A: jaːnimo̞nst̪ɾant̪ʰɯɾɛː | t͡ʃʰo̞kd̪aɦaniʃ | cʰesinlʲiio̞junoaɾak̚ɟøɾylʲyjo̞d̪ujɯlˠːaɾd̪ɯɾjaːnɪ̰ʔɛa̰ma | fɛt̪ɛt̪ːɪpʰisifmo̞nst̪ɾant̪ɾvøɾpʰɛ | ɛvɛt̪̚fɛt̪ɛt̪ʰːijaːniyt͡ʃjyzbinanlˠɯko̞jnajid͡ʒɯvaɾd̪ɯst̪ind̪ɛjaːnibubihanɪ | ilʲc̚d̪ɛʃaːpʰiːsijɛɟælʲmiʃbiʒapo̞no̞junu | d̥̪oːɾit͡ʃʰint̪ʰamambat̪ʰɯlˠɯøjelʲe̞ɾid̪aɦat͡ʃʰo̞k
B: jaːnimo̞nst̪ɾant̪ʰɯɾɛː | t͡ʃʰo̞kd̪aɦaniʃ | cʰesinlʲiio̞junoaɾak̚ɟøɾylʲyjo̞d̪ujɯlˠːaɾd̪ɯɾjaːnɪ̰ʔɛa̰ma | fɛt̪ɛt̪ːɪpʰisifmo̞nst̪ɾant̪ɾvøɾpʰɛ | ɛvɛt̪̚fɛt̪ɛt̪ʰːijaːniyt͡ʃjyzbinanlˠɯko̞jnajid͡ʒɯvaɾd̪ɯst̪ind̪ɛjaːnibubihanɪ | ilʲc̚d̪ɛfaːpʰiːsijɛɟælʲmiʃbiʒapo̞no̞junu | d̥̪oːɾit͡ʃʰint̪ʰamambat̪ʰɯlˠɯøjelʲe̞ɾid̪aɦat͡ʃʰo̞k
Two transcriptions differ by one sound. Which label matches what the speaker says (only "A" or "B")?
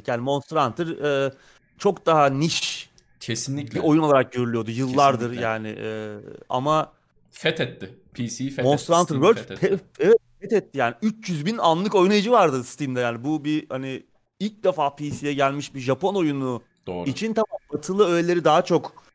B